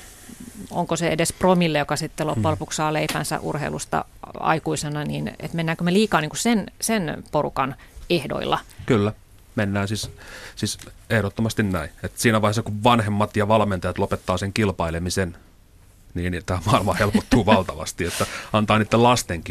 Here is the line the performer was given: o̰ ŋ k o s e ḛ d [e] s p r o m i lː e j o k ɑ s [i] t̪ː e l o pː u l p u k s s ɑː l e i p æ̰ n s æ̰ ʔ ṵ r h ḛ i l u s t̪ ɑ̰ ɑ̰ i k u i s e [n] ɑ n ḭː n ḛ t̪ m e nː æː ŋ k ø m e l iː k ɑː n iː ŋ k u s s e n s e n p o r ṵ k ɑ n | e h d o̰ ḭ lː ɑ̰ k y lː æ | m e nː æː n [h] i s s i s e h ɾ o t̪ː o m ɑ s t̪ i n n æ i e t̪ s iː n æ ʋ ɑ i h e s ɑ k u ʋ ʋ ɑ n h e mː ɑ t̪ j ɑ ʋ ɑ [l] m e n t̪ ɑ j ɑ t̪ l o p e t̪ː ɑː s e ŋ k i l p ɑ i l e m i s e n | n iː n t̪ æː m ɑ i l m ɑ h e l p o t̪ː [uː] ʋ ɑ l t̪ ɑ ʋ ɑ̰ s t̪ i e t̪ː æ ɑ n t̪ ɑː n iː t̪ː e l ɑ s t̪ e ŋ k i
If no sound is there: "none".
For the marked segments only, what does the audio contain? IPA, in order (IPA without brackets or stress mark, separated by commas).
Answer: e, i, n, s, l, uː